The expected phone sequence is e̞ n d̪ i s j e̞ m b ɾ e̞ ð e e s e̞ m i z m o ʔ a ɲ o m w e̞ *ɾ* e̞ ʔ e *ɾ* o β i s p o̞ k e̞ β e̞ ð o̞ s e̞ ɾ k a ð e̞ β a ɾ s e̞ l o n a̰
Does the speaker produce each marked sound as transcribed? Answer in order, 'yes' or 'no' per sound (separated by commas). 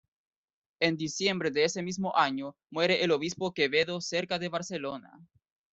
yes, no